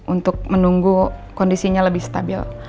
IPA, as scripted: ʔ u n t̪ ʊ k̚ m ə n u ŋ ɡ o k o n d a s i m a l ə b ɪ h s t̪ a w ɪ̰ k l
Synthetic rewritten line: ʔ u n t̪ ʊ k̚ m ə n u ŋ ɡ u k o n d i s i ɲ a l ə b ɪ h s t̪ a b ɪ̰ l

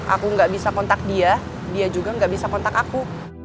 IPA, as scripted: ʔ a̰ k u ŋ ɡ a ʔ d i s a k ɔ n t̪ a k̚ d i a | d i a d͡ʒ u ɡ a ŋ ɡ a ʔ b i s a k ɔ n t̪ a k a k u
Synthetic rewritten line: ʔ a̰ k u ŋ ɡ a ʔ b i s a k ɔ n t̪ a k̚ d i a | d i a d͡ʒ u ɡ a ŋ ɡ a ʔ b i s a k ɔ n t̪ a k a k u

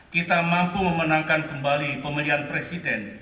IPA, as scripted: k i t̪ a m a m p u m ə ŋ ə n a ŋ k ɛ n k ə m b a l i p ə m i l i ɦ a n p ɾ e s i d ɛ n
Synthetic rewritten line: k i t̪ a m a m p u m ə m ə n a ŋ k a n k ə m b a l i p ə m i l i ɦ a n p ɾ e s i d ɛ n

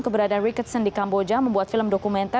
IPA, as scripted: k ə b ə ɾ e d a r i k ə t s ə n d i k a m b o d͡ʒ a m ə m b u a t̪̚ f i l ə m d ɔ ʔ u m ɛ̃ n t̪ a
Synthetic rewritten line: k ə b ə ɾ a d a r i k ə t s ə n d i k a m b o d͡ʒ a m ə m b u a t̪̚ f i l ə m d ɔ k u m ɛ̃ n t̪ a

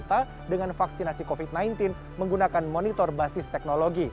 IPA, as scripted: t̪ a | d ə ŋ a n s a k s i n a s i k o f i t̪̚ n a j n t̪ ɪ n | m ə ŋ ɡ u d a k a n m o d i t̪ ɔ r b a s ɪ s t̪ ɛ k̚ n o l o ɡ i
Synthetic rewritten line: t̪ a | d ə ŋ a n f a k s i n a s i k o f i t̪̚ n a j n t̪ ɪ n | m ə ŋ ɡ u n a k a n m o n i t̪ ɔ r b a s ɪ s t̪ ɛ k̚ n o l o ɡ i

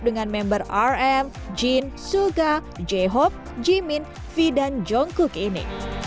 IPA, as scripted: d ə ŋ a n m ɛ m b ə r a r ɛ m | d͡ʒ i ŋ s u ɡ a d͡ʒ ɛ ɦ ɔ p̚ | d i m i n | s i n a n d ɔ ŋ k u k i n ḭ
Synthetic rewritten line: d ə ŋ a n m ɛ m b ə r a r ɛ m | d͡ʒ i n s u ɡ a d͡ʒ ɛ ɦ ɔ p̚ | d͡ʒ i m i n | f i d a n d͡ʒ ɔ ŋ k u k i n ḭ

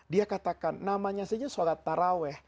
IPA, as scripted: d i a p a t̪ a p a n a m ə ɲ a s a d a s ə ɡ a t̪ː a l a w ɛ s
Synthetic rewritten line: d i a k a t̪ a k a nː a m a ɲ a s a d͡ʒ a s a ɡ a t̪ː a ɾ a w ɛ h

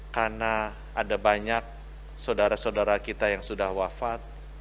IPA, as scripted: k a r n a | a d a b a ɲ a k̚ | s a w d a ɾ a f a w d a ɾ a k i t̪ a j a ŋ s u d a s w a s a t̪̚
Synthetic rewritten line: k a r n a | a d a b a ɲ a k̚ | s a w d a ɾ a s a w d a ɾ a k i t̪ a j a ŋ s u d a h w a f a t̪̚

